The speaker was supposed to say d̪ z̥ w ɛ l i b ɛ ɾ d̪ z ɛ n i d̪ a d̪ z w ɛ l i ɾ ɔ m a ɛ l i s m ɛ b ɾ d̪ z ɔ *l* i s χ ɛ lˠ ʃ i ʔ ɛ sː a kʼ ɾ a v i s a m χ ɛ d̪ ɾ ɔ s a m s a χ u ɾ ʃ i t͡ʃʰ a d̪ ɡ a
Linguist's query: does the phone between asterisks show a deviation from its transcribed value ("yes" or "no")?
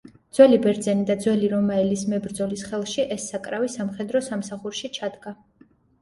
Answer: no